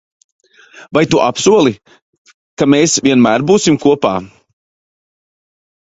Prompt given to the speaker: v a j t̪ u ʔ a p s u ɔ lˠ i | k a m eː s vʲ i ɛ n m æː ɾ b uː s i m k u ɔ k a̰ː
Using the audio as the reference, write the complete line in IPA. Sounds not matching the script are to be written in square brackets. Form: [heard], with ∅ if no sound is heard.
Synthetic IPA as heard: v a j t̪ u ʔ a p s u ɔ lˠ i | k a m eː s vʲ i ɛ n m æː ɾ b uː s i m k u ɔ [p] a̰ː